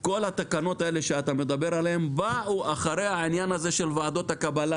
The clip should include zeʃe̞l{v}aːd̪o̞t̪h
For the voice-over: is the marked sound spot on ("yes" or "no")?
yes